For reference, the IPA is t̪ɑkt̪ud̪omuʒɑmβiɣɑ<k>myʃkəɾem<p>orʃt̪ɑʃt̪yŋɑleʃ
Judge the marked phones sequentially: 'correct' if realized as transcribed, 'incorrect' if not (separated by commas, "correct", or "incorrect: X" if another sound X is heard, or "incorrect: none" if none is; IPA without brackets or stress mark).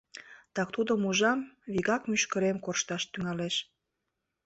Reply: correct, incorrect: k